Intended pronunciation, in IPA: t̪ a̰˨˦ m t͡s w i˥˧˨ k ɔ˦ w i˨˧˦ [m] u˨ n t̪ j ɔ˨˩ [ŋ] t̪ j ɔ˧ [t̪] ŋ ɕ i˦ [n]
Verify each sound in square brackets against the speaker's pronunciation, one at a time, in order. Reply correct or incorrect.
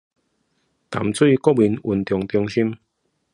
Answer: incorrect, correct, incorrect, incorrect

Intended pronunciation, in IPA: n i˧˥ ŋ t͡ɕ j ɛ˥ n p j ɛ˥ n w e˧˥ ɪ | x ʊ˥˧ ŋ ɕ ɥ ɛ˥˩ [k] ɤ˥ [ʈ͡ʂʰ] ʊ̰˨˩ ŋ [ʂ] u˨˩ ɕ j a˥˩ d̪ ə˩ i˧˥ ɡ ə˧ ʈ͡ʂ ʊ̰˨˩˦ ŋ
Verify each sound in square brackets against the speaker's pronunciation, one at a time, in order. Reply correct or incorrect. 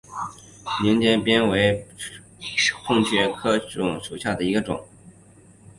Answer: incorrect, incorrect, correct

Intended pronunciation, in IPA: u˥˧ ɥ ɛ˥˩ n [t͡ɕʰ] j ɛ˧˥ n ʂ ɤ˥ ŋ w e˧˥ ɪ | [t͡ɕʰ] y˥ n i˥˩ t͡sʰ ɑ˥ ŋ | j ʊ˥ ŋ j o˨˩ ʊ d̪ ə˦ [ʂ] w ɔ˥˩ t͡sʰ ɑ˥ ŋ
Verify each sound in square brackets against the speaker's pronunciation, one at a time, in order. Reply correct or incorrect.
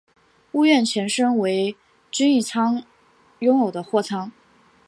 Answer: correct, incorrect, incorrect

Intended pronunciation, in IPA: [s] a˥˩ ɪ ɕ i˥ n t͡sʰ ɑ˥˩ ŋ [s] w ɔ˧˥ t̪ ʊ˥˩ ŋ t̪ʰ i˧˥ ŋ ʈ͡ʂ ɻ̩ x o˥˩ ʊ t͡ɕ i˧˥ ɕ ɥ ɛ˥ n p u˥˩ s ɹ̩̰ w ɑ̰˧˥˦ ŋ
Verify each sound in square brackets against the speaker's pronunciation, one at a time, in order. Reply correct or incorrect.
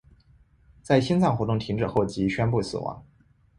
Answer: incorrect, incorrect

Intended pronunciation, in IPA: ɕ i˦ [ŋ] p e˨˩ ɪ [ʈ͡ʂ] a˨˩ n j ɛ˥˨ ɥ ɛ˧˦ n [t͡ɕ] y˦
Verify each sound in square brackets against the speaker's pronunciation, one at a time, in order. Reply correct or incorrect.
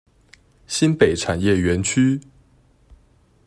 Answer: incorrect, incorrect, incorrect

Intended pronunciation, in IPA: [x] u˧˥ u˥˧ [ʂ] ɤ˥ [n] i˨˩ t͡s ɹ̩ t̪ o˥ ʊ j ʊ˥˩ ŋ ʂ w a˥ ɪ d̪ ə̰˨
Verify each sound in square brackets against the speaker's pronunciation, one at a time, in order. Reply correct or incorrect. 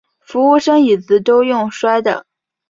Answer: incorrect, correct, incorrect

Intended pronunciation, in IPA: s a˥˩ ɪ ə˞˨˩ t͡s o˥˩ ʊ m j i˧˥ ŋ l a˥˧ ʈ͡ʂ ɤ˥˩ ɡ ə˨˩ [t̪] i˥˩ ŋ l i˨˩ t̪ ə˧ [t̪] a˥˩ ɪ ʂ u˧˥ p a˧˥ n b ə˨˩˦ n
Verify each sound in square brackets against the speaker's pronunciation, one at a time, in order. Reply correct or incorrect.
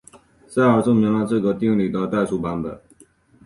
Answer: correct, correct

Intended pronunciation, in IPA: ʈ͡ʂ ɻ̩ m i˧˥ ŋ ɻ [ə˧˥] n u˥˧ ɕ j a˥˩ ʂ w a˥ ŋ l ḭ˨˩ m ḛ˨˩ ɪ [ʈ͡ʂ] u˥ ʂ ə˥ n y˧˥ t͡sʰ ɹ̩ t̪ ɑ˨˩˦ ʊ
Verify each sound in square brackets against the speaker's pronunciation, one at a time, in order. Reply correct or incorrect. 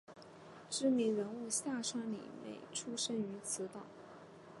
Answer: correct, incorrect

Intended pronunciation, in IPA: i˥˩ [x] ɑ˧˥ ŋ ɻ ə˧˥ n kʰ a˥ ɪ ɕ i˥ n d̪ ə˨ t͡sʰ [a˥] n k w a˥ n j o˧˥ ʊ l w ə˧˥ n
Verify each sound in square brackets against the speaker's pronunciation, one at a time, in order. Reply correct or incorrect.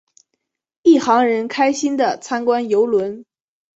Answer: correct, correct

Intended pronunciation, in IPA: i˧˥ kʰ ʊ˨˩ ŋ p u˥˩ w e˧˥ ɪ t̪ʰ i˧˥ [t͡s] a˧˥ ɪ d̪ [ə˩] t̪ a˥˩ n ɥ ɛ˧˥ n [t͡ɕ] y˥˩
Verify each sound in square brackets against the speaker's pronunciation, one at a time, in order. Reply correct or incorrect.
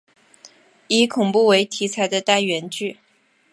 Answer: incorrect, incorrect, correct

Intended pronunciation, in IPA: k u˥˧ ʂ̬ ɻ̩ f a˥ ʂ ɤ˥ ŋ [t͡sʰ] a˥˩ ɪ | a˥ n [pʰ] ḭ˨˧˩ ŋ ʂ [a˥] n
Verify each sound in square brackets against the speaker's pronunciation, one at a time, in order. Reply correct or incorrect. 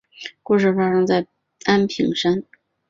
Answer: incorrect, correct, correct

